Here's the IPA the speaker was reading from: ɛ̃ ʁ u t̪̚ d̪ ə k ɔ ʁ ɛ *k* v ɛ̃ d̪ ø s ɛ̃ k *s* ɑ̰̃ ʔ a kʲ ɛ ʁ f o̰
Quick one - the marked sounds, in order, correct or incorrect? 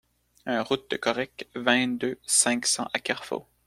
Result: correct, correct

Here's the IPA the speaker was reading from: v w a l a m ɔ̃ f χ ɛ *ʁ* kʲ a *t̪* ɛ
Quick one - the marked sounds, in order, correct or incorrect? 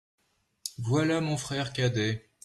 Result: correct, incorrect: d̪

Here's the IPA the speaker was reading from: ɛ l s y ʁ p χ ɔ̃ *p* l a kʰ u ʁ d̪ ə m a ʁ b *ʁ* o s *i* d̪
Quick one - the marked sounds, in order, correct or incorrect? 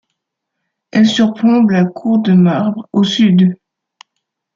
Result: incorrect: b, correct, incorrect: y

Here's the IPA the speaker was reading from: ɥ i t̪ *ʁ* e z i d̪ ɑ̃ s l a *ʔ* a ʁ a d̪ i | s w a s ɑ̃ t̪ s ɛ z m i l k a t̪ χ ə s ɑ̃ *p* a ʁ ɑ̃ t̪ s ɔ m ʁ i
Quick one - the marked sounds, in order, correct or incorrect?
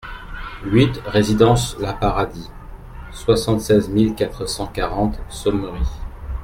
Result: correct, incorrect: p, incorrect: k

